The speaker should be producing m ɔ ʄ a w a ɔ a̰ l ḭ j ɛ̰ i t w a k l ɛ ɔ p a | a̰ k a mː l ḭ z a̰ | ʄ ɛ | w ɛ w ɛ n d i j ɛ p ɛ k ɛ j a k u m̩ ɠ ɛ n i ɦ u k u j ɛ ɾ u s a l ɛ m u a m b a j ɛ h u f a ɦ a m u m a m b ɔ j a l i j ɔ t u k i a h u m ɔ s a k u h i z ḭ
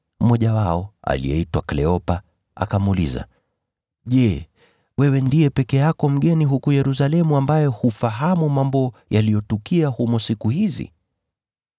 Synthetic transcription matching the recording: m ɔ ʄ a w a ɔ a̰ l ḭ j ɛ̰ i t w a k l ɛ ɔ p a | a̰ k a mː l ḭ z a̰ | ʄ ɛ | w ɛ w ɛ n d i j ɛ p ɛ k ɛ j a k ɔ m̩ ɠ ɛ n i ɦ u k u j ɛ ɾ u s a l ɛ m u a m b a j ɛ h u f a ɦ a m u m a m b ɔ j a l i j ɔ t u k i a h u m ɔ s i k u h i z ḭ

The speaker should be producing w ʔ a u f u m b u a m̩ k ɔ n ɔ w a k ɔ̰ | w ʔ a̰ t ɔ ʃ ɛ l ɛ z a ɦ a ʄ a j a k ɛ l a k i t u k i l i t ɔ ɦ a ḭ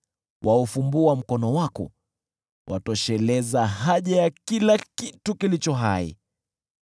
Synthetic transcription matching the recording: w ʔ a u f u m b u a m̩ k ɔ n ɔ w a k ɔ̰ | w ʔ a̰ t ɔ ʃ ɛ l ɛ z a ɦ a ʄ a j a k i l a k i t u k i l i t͡ʃ ɔ ɦ a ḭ

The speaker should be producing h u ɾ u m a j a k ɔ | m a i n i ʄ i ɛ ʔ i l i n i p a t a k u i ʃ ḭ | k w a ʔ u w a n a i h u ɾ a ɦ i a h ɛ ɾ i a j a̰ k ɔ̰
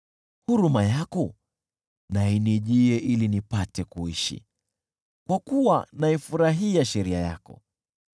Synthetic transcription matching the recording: h u ɾ u m a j a k ɔ | n a i n i ʄ i ɛ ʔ i l i n i p a t ɛ k u i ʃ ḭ | k w a k u w a n a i f u ɾ a ɦ i a ʃ ɛ ɾ i a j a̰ k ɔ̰

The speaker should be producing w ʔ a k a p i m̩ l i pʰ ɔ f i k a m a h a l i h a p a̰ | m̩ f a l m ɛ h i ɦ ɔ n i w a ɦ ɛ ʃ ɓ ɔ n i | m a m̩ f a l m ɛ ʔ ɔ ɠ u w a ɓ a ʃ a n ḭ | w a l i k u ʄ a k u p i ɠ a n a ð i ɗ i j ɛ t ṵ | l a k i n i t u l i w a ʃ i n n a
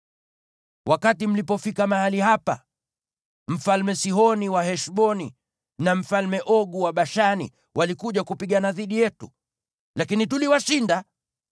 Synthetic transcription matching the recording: w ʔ a k a t i m̩ l i p ɔ f i k a m a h a l i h a p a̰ | m̩ f a l m ɛ s i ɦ ɔ n i w a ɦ ɛ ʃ ɓ ɔ n i | n a m̩ f a l m ɛ ʔ ɔ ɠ u w a ɓ a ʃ a n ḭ | w a l i k u ʄ a k u p i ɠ a n a ð i ɗ i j ɛ t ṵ | l a k i n i t u l i w a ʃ i n d a

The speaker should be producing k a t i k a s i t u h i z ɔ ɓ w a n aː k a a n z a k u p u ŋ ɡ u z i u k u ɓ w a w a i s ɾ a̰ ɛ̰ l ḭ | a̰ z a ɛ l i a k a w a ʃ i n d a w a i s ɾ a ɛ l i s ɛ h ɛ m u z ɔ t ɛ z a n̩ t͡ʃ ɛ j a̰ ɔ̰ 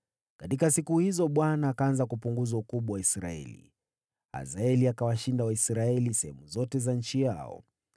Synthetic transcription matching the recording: k a t i k a s i k u h i z ɔ ɓ w a n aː k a a n z a k u p u ŋ ɡ u z a u k u ɓ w a w a i s ɾ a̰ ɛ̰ l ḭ | a̰ z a ɛ l i a k a w a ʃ i n d a w a i s ɾ a ɛ l i s ɛ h ɛ m u z ɔ t ɛ z a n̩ t͡ʃ i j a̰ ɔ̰

